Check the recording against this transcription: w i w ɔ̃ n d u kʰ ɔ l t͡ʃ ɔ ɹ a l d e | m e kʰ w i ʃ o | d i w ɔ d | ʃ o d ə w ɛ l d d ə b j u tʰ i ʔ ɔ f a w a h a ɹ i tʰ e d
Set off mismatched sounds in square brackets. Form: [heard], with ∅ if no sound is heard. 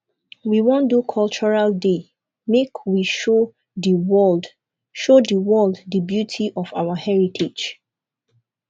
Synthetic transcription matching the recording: w i w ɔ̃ n d u kʰ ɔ l t͡ʃ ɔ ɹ a l d e | m e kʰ w i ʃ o | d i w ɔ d | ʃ o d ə w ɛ l d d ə b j u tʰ i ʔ ɔ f a w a h [ɛ] ɹ i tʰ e [d͡ʒ]